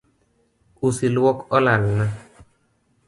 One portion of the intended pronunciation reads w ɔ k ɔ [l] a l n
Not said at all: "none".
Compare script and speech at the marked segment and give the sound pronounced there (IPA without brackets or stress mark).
l